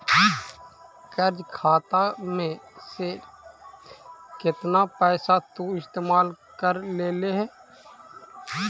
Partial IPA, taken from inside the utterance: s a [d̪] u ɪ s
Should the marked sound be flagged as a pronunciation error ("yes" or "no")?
yes